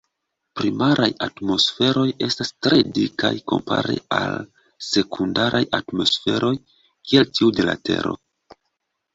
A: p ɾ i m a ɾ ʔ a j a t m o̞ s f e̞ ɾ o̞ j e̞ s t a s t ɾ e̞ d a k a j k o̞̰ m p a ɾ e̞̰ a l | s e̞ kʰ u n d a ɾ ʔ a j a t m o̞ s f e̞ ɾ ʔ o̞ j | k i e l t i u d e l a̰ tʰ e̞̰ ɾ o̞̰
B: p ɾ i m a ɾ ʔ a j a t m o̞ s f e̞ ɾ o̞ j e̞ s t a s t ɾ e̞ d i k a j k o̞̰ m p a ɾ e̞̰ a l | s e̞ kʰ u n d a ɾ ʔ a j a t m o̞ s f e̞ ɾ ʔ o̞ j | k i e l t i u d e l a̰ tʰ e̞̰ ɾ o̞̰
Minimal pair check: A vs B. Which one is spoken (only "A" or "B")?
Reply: B